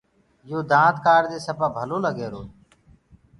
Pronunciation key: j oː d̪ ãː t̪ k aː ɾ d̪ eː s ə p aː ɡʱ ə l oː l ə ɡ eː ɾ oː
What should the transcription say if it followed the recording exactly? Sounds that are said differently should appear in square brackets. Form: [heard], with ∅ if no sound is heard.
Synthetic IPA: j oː d̪ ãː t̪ k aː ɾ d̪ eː s ə p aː [bʱ] ə l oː l ə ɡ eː ɾ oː